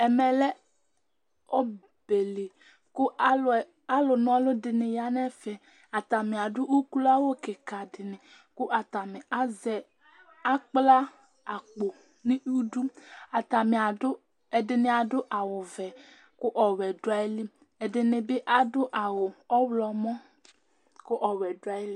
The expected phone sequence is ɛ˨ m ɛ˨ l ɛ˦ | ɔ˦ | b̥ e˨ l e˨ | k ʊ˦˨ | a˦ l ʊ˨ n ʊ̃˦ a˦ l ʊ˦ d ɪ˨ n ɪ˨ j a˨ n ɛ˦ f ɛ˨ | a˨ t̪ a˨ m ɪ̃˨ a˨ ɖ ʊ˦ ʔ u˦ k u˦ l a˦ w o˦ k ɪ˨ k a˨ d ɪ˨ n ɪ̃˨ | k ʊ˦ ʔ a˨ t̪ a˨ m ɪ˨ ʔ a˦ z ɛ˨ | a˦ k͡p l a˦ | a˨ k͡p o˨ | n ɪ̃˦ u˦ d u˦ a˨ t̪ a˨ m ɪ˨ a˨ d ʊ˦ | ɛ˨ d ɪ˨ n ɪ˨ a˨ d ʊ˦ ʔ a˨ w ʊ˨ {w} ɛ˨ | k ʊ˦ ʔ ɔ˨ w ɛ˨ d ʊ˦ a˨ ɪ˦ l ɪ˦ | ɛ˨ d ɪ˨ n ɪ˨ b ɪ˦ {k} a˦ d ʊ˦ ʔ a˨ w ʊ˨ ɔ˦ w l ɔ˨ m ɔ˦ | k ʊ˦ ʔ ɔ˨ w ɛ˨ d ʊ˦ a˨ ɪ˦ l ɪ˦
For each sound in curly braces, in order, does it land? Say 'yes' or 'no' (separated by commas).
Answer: no, no